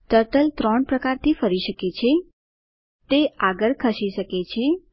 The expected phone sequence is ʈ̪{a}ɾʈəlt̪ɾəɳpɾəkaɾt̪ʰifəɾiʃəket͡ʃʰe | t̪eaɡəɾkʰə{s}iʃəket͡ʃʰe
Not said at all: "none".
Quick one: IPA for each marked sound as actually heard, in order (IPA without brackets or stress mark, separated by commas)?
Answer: ə, ʃ